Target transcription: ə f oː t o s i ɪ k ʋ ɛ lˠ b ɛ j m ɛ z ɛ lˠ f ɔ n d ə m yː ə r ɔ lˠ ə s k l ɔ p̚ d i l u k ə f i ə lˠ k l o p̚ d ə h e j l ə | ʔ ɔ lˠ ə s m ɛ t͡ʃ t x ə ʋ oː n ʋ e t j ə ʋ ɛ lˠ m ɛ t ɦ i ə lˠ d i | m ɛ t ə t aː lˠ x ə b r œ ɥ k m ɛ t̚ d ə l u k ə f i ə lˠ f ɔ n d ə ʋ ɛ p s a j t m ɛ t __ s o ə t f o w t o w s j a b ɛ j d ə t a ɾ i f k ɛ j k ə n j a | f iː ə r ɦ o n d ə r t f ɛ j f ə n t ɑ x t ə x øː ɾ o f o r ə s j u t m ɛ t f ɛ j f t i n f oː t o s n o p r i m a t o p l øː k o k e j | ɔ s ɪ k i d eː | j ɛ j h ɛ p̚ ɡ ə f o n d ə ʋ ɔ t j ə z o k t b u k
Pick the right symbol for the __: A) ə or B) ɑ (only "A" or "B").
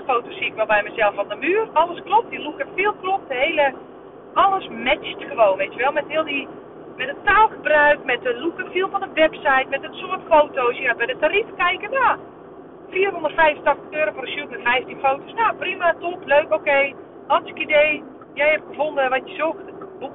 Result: A